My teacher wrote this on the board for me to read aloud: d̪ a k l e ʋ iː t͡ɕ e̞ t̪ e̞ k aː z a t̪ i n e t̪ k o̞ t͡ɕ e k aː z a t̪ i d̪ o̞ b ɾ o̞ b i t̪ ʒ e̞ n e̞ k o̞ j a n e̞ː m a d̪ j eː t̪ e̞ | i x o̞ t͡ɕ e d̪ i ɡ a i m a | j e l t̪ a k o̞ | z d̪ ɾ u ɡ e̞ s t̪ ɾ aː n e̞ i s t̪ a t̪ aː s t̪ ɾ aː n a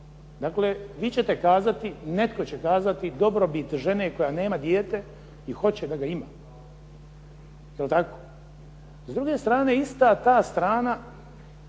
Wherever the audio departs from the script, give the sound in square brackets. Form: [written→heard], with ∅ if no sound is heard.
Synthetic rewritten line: d̪ a k l e ʋ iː t͡ɕ e̞ t̪ e̞ k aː z a t̪ i n e t̪ k o̞ t͡ɕ e k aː z a t̪ i d̪ o̞ b ɾ o̞ b i t̪ ʒ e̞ n e̞ k o̞ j a n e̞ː m a d̪ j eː t̪ e̞ | i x o̞ t͡ɕ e d̪ [i→a] ɡ a i m a | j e l t̪ a k o̞ | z d̪ ɾ u ɡ e̞ s t̪ ɾ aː n e̞ i s t̪ a t̪ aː s t̪ ɾ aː n a

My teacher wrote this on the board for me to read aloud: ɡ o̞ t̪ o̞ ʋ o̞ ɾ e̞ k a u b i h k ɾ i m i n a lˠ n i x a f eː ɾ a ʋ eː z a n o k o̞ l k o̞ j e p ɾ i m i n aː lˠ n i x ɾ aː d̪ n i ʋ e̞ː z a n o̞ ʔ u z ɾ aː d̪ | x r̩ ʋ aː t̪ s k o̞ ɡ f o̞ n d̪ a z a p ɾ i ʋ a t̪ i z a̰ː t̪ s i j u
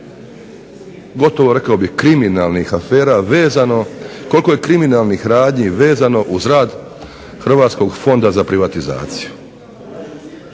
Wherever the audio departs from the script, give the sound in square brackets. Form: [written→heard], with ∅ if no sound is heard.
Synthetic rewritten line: ɡ o̞ t̪ o̞ ʋ o̞ ɾ e̞ k a [u→o] b i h k ɾ i m i n a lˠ n i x a f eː ɾ a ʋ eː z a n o k o̞ l k o̞ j e [p→k] ɾ i m i n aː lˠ n i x ɾ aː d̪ [n→ɲ] i ʋ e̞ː z a n o̞ ʔ u z ɾ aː d̪ | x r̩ ʋ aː t̪ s k o̞ ɡ f o̞ n d̪ a z a p ɾ i ʋ a t̪ i z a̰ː t̪ s i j u

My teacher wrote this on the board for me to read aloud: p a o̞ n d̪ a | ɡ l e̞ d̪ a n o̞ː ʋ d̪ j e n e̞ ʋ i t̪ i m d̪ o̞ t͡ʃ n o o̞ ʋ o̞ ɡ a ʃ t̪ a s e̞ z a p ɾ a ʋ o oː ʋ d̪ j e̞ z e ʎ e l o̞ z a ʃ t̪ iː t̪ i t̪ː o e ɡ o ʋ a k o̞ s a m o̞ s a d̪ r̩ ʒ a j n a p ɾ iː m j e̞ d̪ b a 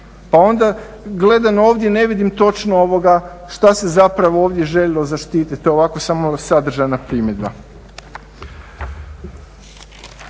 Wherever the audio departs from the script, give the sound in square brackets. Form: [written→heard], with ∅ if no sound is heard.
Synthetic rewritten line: p a o̞ n d̪ a | ɡ l e̞ d̪ a n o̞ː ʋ d̪ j e n e̞ ʋ i [t̪→d̪] i m [d̪→t̪] o̞ t͡ʃ n o o̞ ʋ o̞ ɡ a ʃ t̪ a s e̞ z a p ɾ a ʋ o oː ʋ d̪ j e̞ [z→ʒ] e ʎ e l o̞ z a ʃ t̪ iː t̪ i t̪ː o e [ɡ→∅] o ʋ a k o̞ s a m o̞ s a d̪ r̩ ʒ a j n a p ɾ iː m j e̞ d̪ b a

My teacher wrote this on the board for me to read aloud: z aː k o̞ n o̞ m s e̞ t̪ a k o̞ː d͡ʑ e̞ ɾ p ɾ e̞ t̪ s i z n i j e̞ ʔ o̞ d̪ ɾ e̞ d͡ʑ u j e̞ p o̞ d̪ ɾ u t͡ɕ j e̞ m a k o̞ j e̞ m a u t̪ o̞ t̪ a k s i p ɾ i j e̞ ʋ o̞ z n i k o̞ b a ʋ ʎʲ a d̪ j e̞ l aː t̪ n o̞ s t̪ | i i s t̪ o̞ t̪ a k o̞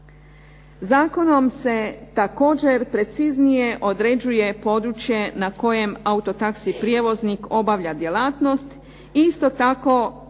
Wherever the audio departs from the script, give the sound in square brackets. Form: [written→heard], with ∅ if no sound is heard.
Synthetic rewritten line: z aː k o̞ n o̞ m s e̞ t̪ a k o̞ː d͡ʑ e̞ ɾ p ɾ e̞ t̪ s i z n i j e̞ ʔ o̞ d̪ ɾ e̞ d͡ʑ u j e̞ p o̞ d̪ ɾ u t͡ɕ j e̞ [m→n] a k o̞ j e̞ m a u t̪ o̞ t̪ a k s i p ɾ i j e̞ ʋ o̞ z n i k o̞ b a ʋ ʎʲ a d̪ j e̞ l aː t̪ n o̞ s t̪ | i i s t̪ o̞ t̪ a k o̞

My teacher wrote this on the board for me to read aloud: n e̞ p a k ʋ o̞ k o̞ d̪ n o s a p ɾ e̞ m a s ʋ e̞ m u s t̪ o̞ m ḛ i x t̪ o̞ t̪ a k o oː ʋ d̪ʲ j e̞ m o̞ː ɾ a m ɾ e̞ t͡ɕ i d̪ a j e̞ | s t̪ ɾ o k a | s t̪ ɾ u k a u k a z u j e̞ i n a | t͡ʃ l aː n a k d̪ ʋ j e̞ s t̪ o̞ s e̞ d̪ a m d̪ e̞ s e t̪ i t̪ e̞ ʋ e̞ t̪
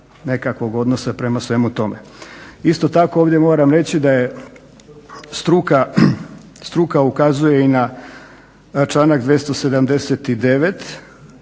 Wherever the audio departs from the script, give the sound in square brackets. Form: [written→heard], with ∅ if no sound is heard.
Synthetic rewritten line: n e̞ [p→k] a k ʋ o̞ [k→ɡ] o̞ d̪ n o s a p ɾ e̞ m a s ʋ e̞ m u [s→∅] t̪ o̞ m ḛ i [x→s] t̪ o̞ t̪ a k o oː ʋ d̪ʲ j e̞ m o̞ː ɾ a m ɾ e̞ t͡ɕ i d̪ a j e̞ | s t̪ ɾ [o→u] k a | s t̪ ɾ u k a u k a z u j e̞ i n a | t͡ʃ l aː n a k d̪ ʋ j e̞ s t̪ o̞ s e̞ d̪ a m d̪ e̞ s e t̪ i [t̪→d̪] e̞ ʋ e̞ t̪

